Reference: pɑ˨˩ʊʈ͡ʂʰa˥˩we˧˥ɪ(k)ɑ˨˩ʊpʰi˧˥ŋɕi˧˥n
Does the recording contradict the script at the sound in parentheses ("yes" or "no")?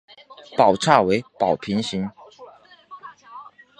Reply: yes